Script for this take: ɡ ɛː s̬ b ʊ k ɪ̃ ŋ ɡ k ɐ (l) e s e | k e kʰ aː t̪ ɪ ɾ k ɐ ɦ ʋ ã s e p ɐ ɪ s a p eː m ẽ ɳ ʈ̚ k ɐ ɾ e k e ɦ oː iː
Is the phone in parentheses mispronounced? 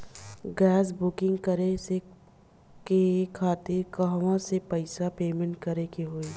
yes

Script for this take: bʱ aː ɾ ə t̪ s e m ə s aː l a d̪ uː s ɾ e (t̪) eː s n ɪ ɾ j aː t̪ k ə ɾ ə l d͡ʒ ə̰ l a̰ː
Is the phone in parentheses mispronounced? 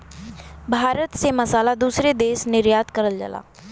yes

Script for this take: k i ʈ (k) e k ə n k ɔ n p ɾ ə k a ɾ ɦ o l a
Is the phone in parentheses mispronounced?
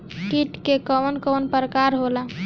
no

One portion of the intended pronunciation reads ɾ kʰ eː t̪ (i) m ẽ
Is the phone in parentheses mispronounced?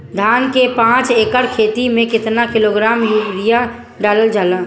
no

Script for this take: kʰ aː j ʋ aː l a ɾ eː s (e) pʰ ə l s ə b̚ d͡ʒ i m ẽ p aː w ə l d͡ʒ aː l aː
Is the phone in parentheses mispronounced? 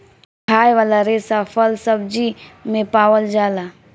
yes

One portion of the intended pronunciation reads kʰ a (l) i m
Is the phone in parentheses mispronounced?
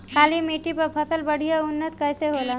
no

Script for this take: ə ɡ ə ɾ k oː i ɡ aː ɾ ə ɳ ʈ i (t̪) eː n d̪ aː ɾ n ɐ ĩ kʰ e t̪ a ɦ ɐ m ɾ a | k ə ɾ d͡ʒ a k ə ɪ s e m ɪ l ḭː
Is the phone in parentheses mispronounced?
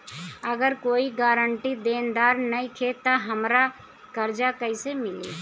yes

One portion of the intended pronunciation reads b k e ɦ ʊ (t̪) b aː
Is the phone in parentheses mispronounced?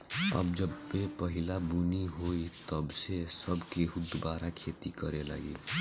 yes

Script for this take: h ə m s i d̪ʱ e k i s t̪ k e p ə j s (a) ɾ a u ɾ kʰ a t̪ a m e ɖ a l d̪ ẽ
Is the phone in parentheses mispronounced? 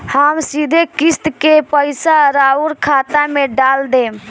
no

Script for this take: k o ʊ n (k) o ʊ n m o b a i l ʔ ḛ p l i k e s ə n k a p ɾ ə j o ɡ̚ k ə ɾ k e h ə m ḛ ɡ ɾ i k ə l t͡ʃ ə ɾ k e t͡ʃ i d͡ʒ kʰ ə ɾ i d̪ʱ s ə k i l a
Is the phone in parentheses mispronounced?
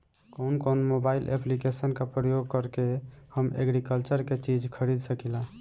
no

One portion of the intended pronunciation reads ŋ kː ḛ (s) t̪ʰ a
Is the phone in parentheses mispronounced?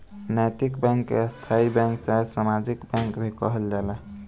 no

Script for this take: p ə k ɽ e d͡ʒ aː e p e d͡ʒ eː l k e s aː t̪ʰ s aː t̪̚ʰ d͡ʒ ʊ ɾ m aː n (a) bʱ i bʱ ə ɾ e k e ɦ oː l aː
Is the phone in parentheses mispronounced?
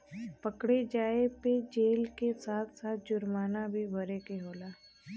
no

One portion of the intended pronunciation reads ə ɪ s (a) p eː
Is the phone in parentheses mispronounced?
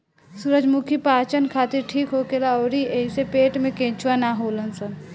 yes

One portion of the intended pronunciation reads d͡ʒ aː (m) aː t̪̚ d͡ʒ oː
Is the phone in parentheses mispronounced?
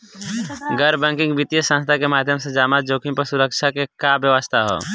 no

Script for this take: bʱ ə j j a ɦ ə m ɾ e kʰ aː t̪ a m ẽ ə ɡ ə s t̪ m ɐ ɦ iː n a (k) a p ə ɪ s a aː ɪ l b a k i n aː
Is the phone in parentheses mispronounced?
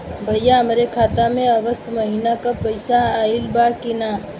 no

